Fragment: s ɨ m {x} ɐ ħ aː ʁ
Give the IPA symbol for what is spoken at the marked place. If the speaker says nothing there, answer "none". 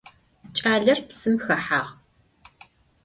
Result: x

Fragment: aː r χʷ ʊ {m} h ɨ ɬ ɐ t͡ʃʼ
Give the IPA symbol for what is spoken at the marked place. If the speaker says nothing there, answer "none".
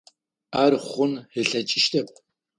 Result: n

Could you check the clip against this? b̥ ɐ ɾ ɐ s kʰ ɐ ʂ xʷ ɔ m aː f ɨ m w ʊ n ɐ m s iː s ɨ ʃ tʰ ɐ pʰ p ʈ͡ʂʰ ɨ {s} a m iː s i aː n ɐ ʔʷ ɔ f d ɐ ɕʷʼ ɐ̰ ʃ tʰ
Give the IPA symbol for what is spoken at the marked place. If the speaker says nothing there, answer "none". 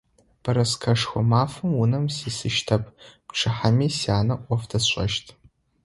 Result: ħ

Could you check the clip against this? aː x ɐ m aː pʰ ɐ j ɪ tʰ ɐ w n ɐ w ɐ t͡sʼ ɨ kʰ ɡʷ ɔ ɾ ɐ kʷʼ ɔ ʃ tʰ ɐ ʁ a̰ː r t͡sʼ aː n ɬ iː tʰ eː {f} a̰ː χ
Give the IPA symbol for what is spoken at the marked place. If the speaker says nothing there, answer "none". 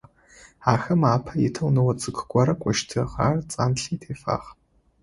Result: f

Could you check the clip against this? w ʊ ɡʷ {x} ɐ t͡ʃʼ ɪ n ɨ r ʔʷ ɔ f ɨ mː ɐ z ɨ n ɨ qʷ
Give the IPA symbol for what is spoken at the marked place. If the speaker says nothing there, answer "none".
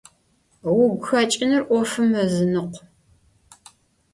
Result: x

